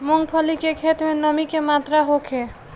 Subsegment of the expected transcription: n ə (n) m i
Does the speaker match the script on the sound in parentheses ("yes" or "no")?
no